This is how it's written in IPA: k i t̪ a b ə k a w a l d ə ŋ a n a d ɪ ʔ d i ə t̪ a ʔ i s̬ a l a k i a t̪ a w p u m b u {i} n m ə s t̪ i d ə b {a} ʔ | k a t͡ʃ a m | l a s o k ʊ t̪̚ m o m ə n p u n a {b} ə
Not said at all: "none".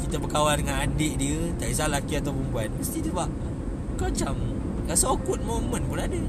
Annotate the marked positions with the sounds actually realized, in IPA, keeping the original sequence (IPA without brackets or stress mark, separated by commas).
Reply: a, a, d